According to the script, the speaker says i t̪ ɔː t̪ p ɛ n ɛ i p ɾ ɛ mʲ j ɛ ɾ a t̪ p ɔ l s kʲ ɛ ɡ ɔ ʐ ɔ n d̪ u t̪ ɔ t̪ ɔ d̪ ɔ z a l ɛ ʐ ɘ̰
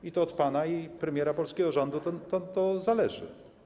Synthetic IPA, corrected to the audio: i t̪ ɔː t̪ p a n a i p ɾ ɛ mʲ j ɛ ɾ a p ɔ l s kʲ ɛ ɡ ɔ ʐ ɔ n d̪ u t̪ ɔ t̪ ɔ t̪ ɔ z a l ɛ ʐ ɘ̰